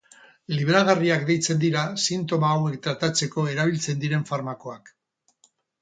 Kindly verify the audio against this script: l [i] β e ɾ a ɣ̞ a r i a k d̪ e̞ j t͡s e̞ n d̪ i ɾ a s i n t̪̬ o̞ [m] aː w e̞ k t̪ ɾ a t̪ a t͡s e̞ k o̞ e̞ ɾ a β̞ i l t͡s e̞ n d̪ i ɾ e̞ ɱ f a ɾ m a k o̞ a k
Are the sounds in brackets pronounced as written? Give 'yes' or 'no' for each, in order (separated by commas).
yes, yes